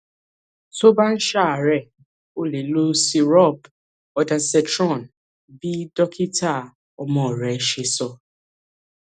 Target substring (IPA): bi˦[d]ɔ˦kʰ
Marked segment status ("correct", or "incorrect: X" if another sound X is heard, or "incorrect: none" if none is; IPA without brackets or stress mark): correct